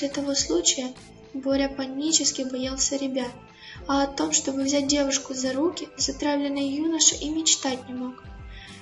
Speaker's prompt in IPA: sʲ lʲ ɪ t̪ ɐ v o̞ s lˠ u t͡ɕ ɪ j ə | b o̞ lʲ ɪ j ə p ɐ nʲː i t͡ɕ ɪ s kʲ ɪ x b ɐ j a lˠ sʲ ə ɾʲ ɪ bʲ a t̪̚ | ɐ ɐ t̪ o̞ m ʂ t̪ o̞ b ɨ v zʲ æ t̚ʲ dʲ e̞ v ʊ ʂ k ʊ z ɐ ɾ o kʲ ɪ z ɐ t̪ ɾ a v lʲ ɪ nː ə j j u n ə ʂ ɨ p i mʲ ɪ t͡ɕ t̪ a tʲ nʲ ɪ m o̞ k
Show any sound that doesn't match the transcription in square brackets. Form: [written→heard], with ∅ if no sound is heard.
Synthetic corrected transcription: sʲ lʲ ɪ t̪ ɐ v o̞ s lˠ u t͡ɕ ɪ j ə | b o̞ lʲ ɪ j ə p ɐ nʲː i t͡ɕ ɪ s kʲ ɪ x b ɐ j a lˠ sʲ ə ɾʲ ɪ bʲ a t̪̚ | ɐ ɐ t̪ o̞ m ʂ t̪ o̞ b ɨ v zʲ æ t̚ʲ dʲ e̞ v ʊ ʂ k ʊ z ɐ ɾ [o→u] kʲ ɪ z ɐ t̪ ɾ a v lʲ ɪ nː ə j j u n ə ʂ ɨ [p→ʔ] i mʲ ɪ t͡ɕ t̪ a tʲ nʲ ɪ m o̞ k